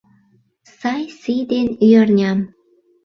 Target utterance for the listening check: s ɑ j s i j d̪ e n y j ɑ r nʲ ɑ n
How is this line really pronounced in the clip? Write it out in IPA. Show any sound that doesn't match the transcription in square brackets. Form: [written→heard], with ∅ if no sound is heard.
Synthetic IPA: s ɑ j s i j d̪ e n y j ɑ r nʲ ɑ [n→m]